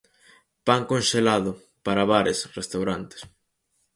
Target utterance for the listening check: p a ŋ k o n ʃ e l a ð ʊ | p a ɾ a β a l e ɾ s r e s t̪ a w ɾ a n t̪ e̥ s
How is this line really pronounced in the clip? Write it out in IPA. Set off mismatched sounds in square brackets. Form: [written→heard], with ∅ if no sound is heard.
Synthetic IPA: p a ŋ k o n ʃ e l a ð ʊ | p a ɾ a β a [l→ɾ] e [ɾ→∅] s r e s t̪ a w ɾ a n t̪ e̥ s